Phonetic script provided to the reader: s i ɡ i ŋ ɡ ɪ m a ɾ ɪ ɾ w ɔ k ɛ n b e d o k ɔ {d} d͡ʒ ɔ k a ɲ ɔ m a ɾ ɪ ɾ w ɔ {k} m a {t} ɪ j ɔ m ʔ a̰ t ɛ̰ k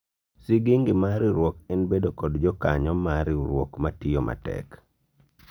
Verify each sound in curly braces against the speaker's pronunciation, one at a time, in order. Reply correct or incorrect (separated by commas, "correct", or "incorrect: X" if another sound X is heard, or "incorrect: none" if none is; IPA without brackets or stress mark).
correct, correct, correct